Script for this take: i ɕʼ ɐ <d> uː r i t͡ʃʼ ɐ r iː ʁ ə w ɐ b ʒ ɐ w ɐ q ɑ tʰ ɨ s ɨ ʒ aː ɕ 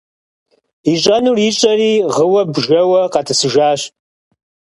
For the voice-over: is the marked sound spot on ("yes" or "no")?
no